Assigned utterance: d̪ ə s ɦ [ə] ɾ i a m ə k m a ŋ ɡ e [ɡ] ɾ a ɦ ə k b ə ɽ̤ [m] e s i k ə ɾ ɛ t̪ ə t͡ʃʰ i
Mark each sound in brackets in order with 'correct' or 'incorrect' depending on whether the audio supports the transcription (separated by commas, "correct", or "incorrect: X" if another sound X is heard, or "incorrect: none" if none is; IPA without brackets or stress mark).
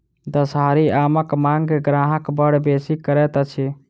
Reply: incorrect: a, correct, incorrect: b